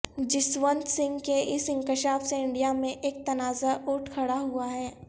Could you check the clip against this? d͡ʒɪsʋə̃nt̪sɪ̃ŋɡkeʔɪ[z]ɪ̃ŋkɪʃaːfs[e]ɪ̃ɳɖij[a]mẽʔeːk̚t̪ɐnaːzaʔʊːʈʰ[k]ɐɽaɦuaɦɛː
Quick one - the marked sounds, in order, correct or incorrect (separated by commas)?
incorrect, correct, correct, incorrect